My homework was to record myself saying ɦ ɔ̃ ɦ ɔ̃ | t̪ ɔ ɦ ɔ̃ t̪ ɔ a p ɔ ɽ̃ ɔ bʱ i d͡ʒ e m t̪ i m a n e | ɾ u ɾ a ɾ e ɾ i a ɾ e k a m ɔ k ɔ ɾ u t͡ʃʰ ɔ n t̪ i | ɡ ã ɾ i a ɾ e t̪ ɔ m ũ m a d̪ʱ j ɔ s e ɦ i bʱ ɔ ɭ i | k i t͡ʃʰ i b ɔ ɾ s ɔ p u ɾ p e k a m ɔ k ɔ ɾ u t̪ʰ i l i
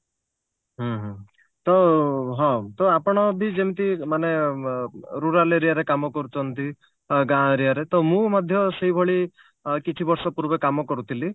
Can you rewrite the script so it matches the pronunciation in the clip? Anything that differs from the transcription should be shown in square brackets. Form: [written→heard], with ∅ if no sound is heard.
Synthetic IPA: ɦ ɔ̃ ɦ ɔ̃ | t̪ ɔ ɦ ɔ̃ t̪ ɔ a p ɔ ɽ̃ ɔ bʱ i d͡ʒ e m t̪ i m a n e | ɾ u ɾ a [ɾ→l] e ɾ i a ɾ e k a m ɔ k ɔ ɾ u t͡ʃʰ ɔ n t̪ i | ɡ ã ɾ i a ɾ e t̪ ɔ m ũ m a d̪ʱ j ɔ s e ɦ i bʱ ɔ ɭ i | k i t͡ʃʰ i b ɔ ɾ s ɔ p u ɾ [p→b] e k a m ɔ k ɔ ɾ u t̪ʰ i l i